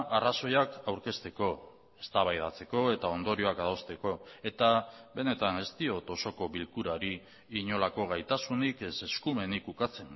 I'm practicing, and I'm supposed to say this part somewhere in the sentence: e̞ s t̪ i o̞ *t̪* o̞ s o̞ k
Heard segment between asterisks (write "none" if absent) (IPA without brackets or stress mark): t̪